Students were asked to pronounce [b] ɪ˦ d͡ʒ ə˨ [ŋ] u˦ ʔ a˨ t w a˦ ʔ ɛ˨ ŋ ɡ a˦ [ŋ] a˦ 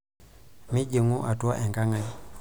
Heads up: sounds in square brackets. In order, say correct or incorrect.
incorrect, correct, correct

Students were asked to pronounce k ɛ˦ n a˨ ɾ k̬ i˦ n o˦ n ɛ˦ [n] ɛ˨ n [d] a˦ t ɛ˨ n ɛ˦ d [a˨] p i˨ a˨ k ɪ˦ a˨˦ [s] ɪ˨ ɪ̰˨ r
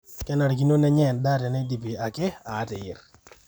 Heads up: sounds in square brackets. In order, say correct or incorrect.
incorrect, correct, incorrect, incorrect

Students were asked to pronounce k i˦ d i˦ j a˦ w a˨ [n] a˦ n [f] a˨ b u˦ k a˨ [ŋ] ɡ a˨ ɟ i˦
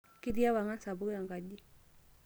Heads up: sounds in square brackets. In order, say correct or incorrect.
incorrect, incorrect, correct

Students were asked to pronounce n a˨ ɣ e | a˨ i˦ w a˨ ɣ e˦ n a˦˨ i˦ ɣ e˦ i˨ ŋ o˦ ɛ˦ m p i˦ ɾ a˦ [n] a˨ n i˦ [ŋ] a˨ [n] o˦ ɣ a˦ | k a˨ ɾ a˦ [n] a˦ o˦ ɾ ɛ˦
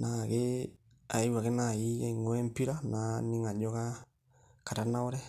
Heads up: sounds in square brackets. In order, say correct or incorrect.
correct, correct, incorrect, correct

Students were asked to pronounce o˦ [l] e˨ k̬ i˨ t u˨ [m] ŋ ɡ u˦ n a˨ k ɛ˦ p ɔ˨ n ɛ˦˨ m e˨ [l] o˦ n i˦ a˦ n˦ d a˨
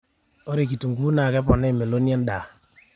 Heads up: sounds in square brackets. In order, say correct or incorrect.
incorrect, incorrect, correct

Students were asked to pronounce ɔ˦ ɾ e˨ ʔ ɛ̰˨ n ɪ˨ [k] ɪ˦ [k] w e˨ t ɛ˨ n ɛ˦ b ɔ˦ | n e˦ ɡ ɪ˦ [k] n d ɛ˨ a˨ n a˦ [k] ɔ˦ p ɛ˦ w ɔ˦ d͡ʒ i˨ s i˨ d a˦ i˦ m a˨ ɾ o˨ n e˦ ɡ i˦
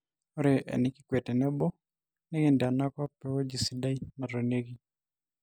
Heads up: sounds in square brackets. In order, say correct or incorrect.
correct, correct, incorrect, correct

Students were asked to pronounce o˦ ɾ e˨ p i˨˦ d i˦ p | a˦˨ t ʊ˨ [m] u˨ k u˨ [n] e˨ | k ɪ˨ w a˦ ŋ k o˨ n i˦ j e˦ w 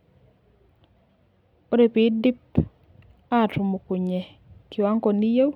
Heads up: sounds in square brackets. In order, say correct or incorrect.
correct, incorrect

